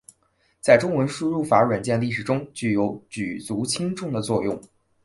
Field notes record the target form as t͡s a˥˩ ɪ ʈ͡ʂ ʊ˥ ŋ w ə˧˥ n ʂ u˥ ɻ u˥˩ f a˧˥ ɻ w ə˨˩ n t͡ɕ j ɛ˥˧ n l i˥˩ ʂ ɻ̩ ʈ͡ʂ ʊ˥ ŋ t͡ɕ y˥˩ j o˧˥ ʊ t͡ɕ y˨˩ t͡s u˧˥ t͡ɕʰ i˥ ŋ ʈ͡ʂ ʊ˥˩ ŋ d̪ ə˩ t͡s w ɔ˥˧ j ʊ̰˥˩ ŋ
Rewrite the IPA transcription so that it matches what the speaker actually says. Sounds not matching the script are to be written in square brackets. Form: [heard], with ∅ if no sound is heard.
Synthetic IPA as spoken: t͡s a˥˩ ɪ ʈ͡ʂ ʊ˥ ŋ w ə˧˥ n ʂ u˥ ɻ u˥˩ f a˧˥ ɻ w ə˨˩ n t͡ɕ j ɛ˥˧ n l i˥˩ ʂ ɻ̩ ʈ͡ʂ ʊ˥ ŋ t͡ɕ y˥˩ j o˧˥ ʊ t͡ɕ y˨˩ t͡s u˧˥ t͡ɕʰ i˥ ŋ ʈ͡ʂ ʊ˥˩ ŋ d̪ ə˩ t͡s w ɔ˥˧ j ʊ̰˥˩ ŋ

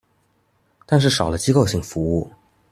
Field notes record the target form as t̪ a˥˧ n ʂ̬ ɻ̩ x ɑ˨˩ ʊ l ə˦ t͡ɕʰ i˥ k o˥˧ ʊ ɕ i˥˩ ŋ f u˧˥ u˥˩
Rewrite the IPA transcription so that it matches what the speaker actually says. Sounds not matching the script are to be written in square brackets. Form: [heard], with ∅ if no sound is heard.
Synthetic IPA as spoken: t̪ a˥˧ n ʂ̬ ɻ̩ [ʂ] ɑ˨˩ ʊ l ə˦ [t͡ɕ] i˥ k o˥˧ ʊ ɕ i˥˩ ŋ f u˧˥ u˥˩

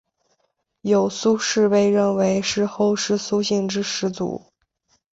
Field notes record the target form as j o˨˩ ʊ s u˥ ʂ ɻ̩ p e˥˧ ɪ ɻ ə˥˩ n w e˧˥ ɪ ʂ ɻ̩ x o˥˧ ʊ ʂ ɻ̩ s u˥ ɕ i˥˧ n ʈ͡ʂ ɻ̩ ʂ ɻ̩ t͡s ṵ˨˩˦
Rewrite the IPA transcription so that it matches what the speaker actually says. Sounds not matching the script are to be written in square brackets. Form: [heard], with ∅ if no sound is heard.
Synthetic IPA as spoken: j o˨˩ ʊ s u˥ ʂ ɻ̩ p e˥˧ ɪ ɻ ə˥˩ n w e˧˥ ɪ ʂ ɻ̩ x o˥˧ ʊ ʂ ɻ̩ s u˥ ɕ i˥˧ [ŋ] ʈ͡ʂ ɻ̩ ʂ ɻ̩ t͡s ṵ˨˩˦

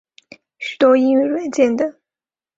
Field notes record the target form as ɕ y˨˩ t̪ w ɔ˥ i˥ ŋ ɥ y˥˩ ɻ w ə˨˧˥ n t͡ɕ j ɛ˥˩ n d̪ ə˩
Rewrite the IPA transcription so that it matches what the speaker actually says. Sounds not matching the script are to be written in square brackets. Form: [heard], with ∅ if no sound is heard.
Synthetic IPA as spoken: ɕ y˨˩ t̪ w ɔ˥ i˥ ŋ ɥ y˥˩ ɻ w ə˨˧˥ n t͡ɕ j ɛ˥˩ n d̪ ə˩

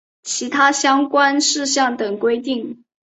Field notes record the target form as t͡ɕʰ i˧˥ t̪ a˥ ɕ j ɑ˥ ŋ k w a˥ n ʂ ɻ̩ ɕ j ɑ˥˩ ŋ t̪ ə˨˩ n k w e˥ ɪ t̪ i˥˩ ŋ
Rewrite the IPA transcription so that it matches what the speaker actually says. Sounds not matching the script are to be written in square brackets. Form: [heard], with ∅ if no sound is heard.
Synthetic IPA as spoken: t͡ɕʰ i˧˥ [t̪ʰ] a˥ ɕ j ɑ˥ ŋ k w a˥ n ʂ ɻ̩ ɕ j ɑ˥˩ ŋ t̪ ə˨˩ [ŋ] k w e˥ ɪ t̪ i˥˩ ŋ

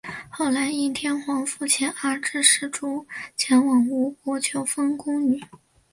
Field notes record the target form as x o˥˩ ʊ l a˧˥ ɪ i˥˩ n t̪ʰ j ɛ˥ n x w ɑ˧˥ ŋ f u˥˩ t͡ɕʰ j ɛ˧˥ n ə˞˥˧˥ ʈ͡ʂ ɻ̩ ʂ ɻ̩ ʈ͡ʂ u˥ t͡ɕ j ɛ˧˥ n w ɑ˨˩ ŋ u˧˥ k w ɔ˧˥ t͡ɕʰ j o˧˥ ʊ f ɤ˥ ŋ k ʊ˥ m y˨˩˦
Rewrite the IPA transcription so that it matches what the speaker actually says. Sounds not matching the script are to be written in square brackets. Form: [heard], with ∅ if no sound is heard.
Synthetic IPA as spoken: x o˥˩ ʊ l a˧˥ ɪ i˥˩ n t̪ʰ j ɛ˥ n x w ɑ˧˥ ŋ f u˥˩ t͡ɕʰ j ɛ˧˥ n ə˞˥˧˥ ʈ͡ʂ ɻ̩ ʂ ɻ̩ ʈ͡ʂ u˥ [t͡ɕʰ] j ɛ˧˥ n w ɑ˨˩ ŋ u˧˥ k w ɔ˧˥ t͡ɕʰ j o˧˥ ʊ f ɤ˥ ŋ k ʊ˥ [ŋ] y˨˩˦

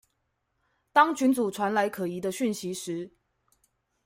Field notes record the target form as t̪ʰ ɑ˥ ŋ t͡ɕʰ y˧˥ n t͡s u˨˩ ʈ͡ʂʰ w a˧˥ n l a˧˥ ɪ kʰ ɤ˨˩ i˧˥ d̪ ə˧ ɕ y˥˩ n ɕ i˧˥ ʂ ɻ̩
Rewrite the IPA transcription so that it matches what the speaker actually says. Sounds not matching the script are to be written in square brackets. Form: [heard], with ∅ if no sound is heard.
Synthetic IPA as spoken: [t̪] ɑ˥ ŋ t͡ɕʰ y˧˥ n t͡s u˨˩ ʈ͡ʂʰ w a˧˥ n l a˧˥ ɪ kʰ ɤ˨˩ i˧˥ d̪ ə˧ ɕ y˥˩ n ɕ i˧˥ ʂ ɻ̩

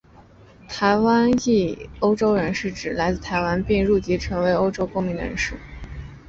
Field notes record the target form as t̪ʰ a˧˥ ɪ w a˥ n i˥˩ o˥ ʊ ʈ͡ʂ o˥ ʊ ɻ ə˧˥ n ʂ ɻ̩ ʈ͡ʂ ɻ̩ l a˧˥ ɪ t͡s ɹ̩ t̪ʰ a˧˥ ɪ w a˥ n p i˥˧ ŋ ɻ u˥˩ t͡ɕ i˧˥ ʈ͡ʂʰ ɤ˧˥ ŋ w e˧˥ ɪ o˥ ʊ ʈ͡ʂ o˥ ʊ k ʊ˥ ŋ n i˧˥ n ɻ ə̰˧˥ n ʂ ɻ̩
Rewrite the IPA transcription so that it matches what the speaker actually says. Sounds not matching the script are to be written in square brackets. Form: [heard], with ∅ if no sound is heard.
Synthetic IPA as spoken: t̪ʰ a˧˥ ɪ w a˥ n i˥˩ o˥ ʊ ʈ͡ʂ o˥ ʊ ɻ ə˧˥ n ʂ ɻ̩ ʈ͡ʂ ɻ̩ l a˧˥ ɪ t͡s ɹ̩ t̪ʰ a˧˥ ɪ w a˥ n p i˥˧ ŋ ɻ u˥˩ t͡ɕ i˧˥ ʈ͡ʂʰ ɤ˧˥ ŋ w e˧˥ ɪ o˥ ʊ ʈ͡ʂ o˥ ʊ k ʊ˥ ŋ [m] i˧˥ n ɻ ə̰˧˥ n ʂ ɻ̩

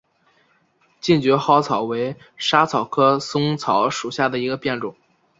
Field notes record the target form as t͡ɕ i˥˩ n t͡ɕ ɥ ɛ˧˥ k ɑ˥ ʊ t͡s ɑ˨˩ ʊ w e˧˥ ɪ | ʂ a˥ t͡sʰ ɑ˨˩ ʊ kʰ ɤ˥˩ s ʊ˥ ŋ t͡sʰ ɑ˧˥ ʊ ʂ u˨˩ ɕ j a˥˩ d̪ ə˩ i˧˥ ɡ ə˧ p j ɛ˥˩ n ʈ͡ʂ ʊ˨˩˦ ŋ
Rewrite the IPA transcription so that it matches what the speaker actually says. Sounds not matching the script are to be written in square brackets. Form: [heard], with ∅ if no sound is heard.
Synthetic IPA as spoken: t͡ɕ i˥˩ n t͡ɕ ɥ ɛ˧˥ [x] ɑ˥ ʊ [t͡sʰ] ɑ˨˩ ʊ w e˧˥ ɪ | ʂ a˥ t͡sʰ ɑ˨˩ ʊ kʰ [ɤ˥] s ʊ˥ ŋ t͡sʰ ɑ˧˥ ʊ ʂ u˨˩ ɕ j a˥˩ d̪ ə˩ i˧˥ ɡ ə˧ p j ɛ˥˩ n ʈ͡ʂ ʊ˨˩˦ ŋ

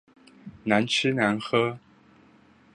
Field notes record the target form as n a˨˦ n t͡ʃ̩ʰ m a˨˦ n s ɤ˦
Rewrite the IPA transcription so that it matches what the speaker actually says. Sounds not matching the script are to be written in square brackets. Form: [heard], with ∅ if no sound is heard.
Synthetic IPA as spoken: n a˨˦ n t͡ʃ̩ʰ [n] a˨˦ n [x] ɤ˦

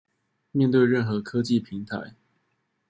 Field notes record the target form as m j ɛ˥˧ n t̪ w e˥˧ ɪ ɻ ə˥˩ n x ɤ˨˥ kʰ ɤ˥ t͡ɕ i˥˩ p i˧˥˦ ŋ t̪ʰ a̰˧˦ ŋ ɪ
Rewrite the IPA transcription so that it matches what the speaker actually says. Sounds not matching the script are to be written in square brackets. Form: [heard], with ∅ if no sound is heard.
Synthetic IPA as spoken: m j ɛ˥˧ n t̪ w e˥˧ ɪ ɻ ə˥˩ n x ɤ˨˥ kʰ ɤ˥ t͡ɕ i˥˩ [pʰ] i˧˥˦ ŋ t̪ʰ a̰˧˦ [∅] ɪ

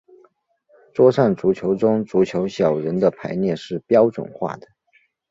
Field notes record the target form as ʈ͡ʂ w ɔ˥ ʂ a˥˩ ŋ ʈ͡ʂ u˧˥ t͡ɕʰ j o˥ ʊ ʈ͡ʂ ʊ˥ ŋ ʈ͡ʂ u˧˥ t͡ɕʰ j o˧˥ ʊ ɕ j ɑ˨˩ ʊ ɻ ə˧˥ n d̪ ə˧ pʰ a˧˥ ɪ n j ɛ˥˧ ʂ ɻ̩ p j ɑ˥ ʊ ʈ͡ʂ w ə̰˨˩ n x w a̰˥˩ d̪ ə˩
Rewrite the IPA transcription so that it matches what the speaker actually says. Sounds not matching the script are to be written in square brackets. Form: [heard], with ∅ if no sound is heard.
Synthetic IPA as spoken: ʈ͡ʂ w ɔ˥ ʂ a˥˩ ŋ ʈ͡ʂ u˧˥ t͡ɕʰ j [o˧˥] ʊ ʈ͡ʂ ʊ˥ ŋ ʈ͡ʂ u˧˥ t͡ɕʰ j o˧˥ ʊ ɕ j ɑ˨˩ ʊ ɻ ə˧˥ n d̪ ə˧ pʰ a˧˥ ɪ n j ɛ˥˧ ʂ ɻ̩ p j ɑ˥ ʊ ʈ͡ʂ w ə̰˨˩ n x w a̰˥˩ d̪ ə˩

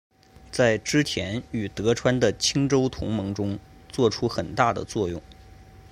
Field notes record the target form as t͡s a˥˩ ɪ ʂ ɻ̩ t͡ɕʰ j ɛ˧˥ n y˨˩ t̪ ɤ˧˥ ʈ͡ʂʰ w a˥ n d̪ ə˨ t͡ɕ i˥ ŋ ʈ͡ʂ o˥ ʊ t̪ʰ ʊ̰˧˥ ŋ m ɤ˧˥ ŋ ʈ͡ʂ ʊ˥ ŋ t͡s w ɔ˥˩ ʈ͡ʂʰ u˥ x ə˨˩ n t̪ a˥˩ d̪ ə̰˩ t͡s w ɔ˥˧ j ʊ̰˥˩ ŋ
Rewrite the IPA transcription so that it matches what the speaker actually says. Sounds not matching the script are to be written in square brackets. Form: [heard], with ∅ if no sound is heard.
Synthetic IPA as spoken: t͡s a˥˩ ɪ [ʈ͡ʂ] ɻ̩ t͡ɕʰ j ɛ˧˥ n y˨˩ t̪ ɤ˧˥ ʈ͡ʂʰ w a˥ n d̪ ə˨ [t͡ɕʰ] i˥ ŋ ʈ͡ʂ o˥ ʊ t̪ʰ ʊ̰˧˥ ŋ m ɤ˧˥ ŋ ʈ͡ʂ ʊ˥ ŋ t͡s w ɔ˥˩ ʈ͡ʂʰ u˥ x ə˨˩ n t̪ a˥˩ d̪ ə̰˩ t͡s w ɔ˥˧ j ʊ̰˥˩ ŋ

